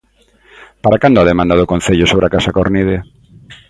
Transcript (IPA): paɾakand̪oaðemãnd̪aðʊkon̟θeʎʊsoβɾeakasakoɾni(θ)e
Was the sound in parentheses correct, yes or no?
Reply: no